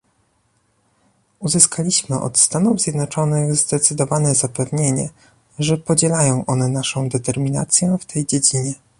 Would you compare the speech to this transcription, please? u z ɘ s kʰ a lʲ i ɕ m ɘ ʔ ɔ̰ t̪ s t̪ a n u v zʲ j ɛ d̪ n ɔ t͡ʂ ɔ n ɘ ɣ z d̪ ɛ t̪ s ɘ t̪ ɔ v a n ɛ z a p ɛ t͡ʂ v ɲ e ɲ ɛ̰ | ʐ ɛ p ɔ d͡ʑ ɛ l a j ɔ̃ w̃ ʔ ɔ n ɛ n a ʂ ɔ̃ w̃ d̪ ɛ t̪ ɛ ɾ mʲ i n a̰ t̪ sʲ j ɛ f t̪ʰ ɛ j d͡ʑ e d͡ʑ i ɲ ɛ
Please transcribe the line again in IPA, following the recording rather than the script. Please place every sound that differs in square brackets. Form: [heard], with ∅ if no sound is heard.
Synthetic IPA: u z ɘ s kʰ a lʲ i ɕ m ɘ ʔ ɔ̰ t̪ s t̪ a n u v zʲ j ɛ d̪ n ɔ t͡ʂ ɔ n ɘ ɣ z d̪ ɛ t̪ s ɘ [d̪] ɔ v a n ɛ z a p ɛ [∅] v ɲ e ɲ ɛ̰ | ʐ ɛ p ɔ d͡ʑ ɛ l a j ɔ̃ w̃ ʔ ɔ n ɛ n a ʂ ɔ̃ w̃ d̪ ɛ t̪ ɛ ɾ mʲ i n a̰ t̪ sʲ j ɛ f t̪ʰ ɛ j d͡ʑ e d͡ʑ i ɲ ɛ